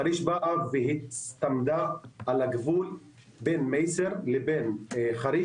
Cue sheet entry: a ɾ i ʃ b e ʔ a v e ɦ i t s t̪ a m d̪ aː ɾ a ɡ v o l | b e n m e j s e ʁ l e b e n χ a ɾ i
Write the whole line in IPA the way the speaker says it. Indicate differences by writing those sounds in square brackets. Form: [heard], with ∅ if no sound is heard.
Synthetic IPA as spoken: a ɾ i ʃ b [a] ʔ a v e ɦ i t s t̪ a m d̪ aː [l] a ɡ v [u] l | b e n m e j s e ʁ l e b e n χ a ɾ i